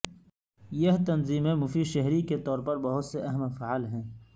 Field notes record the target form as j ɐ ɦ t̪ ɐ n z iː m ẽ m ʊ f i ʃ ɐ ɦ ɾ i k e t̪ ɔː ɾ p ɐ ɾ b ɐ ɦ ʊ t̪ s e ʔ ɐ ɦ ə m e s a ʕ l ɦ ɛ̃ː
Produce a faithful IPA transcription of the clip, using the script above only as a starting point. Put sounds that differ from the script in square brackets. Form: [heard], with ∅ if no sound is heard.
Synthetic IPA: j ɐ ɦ t̪ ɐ n z iː m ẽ m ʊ f i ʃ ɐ ɦ ɾ i k e t̪ ɔː ɾ p ɐ ɾ b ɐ ɦ ʊ t̪ s e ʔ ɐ ɦ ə m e [f] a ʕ l ɦ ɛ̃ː